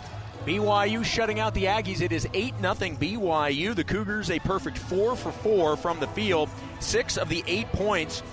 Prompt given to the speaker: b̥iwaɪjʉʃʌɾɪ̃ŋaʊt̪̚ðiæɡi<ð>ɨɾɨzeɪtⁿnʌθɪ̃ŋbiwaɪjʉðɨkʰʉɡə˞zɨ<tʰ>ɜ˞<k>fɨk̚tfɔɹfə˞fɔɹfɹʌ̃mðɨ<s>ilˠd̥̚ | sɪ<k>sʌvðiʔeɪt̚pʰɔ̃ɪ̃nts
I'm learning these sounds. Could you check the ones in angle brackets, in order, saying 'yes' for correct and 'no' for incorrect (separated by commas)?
no, no, no, no, yes